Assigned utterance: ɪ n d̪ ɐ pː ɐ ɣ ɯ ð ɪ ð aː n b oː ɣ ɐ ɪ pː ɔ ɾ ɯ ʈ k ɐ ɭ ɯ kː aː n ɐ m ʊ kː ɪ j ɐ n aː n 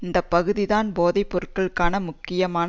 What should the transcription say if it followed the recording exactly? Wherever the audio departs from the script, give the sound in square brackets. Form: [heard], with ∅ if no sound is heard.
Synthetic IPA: ɪ n d̪ ɐ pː ɐ ɣ ɯ ð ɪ ð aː n b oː [ð] ɐ ɪ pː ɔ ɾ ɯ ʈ k ɐ ɭ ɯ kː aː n ɐ m ʊ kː ɪ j ɐ [m] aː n